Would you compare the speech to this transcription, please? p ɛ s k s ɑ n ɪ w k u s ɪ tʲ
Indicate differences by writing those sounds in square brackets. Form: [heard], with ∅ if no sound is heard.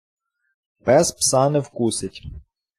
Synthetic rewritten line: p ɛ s [p] s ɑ n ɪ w k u s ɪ tʲ

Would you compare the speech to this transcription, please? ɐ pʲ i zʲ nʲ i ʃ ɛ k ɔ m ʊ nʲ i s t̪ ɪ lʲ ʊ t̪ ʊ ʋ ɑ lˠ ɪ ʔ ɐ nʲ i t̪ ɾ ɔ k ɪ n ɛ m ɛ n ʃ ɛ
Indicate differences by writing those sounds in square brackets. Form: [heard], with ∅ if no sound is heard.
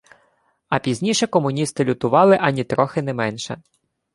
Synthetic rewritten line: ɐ pʲ i zʲ nʲ i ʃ ɛ k ɔ m ʊ nʲ i s t̪ ɪ lʲ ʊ t̪ ʊ ʋ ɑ lˠ ɪ ʔ ɐ nʲ i t̪ ɾ ɔ [x] ɪ n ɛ m ɛ n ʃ ɛ

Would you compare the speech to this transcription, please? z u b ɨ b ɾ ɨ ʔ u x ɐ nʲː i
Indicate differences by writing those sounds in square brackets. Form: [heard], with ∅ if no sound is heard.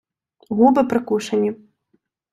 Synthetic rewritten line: [ɣ] u b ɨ [p] ɾ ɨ [k] u [ʂ] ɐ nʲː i

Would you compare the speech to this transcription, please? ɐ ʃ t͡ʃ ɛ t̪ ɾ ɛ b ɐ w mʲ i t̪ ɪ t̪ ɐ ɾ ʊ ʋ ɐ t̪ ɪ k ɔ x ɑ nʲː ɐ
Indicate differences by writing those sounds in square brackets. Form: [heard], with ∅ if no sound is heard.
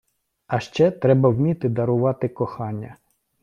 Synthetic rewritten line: ɐ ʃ t͡ʃ ɛ t̪ ɾ ɛ b ɐ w mʲ i t̪ ɪ [d̪] ɐ ɾ ʊ ʋ [ɑ] t̪ ɪ k ɔ x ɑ nʲː ɐ

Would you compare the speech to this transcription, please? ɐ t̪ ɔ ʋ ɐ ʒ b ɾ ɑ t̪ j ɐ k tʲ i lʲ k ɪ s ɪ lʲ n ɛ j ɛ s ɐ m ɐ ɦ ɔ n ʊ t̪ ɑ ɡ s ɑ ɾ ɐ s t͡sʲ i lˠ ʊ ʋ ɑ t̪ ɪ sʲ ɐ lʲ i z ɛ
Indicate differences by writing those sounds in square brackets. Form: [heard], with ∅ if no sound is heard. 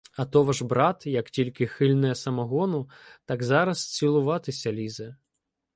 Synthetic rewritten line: ɐ t̪ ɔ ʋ ɐ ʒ b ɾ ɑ t̪ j ɐ k tʲ i lʲ k ɪ [x] ɪ lʲ n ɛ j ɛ s ɐ m ɐ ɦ ɔ n ʊ t̪ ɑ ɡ [z] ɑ ɾ ɐ s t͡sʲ i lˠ ʊ ʋ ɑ t̪ ɪ sʲ ɐ lʲ i z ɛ

